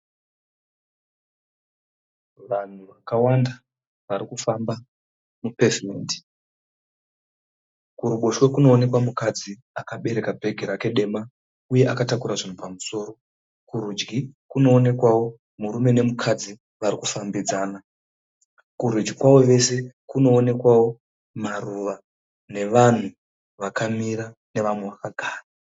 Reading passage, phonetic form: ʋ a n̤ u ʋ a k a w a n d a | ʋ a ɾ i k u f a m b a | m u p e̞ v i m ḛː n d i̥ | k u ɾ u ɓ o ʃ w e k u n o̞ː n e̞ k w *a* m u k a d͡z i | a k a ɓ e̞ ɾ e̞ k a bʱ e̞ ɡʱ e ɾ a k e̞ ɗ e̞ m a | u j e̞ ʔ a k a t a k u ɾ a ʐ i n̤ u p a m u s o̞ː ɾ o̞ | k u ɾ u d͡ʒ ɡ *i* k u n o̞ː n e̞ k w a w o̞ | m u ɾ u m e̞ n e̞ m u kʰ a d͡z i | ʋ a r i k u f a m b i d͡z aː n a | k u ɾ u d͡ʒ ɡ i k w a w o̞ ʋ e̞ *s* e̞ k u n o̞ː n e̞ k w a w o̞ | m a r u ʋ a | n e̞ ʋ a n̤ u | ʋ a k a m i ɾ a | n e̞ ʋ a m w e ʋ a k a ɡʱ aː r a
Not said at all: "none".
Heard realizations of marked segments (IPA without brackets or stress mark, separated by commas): a, i, s